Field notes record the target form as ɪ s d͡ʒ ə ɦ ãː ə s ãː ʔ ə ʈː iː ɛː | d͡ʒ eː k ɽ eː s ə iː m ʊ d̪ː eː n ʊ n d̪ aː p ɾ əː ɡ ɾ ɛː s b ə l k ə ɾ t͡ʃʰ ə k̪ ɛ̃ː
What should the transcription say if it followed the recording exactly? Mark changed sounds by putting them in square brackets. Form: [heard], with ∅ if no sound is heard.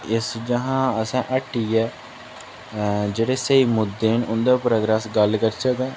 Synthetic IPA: ɪ s d͡ʒ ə ɦ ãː ə s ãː ʔ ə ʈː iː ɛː | d͡ʒ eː [∅] ɽ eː s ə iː m ʊ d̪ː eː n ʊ n d̪ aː p ɾ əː ɡ ɾ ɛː s [ɡ] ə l k ə ɾ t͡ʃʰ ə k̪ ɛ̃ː